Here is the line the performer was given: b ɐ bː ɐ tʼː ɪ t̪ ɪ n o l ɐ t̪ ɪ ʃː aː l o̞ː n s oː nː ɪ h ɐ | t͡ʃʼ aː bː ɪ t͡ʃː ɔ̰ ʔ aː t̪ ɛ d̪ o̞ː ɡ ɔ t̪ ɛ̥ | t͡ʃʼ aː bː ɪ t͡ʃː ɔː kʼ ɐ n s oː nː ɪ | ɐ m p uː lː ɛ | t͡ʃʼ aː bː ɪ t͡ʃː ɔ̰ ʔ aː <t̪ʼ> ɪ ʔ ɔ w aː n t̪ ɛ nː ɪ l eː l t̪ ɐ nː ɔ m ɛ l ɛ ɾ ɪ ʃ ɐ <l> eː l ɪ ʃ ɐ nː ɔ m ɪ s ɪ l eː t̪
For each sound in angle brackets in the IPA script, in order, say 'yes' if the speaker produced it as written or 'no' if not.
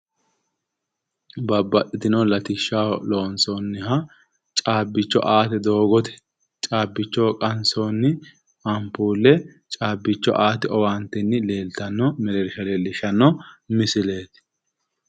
no, yes

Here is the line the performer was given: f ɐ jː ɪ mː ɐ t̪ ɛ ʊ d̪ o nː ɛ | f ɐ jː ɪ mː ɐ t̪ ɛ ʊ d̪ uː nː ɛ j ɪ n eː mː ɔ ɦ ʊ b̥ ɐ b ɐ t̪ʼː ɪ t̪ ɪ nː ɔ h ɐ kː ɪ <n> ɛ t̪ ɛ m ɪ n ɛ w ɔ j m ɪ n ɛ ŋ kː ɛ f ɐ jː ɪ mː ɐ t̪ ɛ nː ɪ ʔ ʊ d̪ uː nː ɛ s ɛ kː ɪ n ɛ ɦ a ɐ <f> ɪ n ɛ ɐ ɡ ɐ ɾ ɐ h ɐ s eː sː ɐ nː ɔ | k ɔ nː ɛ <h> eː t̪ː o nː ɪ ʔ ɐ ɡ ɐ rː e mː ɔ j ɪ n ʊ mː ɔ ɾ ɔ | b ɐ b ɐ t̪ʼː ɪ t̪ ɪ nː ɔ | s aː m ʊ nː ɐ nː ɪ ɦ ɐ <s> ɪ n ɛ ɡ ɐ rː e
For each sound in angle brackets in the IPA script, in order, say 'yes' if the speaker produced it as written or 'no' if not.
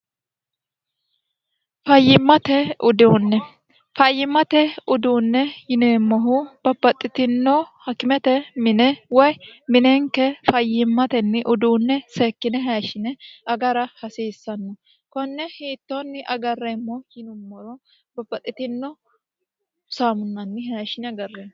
no, no, yes, no

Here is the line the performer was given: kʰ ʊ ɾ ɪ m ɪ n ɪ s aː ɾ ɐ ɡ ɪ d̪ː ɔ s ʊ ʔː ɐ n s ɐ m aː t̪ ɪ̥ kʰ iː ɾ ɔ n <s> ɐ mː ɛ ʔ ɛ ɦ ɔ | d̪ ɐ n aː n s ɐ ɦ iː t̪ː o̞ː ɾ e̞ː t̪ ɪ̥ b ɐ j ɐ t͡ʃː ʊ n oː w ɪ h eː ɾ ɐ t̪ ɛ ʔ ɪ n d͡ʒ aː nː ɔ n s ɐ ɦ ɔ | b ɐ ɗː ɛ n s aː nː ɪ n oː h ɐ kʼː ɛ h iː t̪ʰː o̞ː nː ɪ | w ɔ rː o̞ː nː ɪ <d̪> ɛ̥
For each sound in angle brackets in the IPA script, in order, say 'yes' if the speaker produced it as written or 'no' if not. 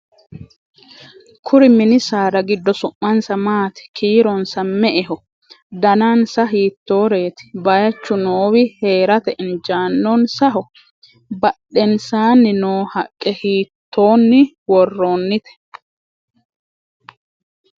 yes, no

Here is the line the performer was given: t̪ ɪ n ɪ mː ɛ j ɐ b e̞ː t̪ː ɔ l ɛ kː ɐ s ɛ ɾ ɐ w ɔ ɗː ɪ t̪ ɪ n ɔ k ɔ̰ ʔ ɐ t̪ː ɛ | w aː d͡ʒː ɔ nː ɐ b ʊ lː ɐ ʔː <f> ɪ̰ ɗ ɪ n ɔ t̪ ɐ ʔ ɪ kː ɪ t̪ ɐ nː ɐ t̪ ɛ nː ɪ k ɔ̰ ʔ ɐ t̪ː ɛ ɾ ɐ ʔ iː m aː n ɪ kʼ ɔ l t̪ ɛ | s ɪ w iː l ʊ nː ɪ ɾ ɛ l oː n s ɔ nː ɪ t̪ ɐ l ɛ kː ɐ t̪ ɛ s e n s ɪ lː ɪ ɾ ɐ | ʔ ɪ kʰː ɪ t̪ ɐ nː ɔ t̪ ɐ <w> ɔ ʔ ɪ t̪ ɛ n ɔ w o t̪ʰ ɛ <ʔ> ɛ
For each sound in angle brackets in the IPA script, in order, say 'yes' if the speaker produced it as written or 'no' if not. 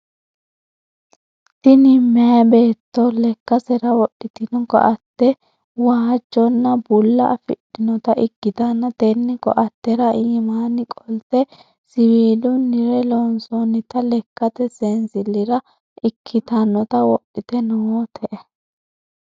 yes, yes, yes

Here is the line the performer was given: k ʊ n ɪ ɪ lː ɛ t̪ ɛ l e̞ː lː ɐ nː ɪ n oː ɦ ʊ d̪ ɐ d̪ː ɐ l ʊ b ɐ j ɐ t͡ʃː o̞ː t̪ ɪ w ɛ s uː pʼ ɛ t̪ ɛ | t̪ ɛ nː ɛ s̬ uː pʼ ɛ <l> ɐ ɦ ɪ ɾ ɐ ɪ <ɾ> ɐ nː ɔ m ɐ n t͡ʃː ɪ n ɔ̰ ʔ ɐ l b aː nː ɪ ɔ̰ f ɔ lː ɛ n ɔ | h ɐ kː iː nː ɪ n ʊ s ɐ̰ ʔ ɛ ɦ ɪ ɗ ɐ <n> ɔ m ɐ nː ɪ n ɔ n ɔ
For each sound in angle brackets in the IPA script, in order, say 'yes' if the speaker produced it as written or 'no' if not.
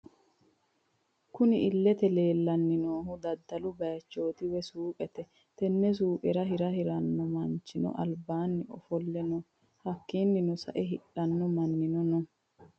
no, yes, no

